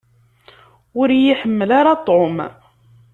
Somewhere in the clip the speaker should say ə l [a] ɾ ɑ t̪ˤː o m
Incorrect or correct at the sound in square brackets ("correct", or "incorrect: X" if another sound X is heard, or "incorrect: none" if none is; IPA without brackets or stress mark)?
correct